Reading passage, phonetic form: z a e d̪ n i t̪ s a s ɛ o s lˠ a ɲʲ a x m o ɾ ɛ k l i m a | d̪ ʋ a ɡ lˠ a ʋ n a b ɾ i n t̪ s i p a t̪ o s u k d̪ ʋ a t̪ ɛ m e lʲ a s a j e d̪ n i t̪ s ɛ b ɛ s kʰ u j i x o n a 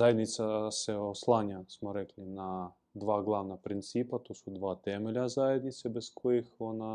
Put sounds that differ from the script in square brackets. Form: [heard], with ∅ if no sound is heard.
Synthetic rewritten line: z a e d̪ n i t̪ s a s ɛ o s lˠ a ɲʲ a [s] m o ɾ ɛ k l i [n] a | d̪ ʋ a ɡ lˠ a ʋ n a [p] ɾ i n t̪ s i p a t̪ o s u [∅] d̪ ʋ a t̪ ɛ m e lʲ a [z] a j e d̪ n i t̪ s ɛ b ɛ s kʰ [o] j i x o n a